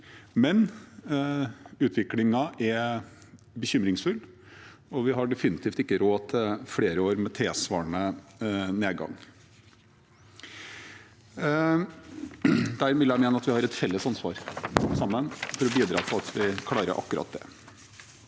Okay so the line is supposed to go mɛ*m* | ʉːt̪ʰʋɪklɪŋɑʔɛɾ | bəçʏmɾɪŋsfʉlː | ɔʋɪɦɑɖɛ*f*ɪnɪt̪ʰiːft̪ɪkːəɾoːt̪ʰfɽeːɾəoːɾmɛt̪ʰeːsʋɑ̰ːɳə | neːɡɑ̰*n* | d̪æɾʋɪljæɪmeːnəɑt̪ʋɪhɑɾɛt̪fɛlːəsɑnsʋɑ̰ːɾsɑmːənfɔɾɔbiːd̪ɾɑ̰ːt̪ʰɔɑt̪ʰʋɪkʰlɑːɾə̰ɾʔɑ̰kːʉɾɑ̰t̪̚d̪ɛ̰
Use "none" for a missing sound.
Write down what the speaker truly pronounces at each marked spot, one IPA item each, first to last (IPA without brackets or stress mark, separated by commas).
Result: n, f, ŋ